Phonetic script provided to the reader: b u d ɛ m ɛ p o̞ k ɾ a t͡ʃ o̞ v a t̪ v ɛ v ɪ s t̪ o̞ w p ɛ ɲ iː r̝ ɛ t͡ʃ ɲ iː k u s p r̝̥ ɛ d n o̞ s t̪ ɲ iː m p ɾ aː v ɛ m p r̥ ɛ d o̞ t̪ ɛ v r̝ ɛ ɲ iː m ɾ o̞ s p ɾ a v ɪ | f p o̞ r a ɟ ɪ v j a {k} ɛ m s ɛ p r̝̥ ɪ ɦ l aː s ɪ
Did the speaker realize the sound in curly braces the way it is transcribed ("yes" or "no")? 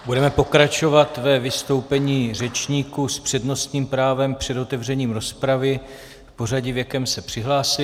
yes